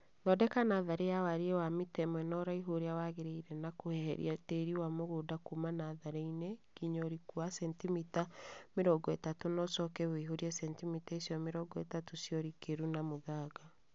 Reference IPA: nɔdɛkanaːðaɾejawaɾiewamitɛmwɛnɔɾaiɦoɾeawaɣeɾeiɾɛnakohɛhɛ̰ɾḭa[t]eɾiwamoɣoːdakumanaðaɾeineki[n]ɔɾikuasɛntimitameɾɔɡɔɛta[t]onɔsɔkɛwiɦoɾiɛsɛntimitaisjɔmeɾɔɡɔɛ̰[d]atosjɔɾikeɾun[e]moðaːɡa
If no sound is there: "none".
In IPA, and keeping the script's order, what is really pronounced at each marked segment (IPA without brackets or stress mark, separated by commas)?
t, ɲ, t, t, a